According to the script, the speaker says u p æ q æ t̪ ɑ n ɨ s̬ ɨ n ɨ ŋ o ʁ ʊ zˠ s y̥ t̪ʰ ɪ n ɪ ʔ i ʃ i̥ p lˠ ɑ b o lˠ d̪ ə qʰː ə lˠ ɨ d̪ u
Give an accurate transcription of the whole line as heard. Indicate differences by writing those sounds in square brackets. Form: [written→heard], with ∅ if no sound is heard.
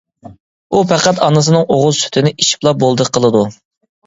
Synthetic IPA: u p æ q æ t̪ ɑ n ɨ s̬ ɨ n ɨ ŋ o ʁ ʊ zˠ s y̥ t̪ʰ ɪ n ɪ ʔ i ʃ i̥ p lˠ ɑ b o lˠ d̪ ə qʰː ə lˠ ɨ d̪ u